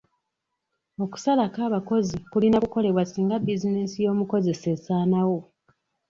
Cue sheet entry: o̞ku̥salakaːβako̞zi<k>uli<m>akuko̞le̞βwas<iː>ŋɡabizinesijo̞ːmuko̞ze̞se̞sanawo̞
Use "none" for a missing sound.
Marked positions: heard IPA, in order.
k, n, iː

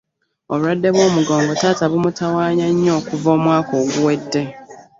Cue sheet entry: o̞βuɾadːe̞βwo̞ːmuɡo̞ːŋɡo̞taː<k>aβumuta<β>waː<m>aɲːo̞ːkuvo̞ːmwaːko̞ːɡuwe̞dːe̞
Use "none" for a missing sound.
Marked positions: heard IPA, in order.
t, none, ɲ

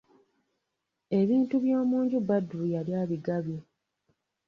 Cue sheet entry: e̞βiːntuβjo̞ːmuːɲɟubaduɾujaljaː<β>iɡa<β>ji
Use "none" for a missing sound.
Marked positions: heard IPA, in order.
β, β

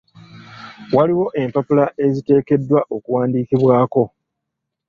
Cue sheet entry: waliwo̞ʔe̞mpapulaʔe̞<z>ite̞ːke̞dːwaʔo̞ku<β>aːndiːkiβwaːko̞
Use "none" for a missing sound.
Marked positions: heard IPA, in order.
z, w

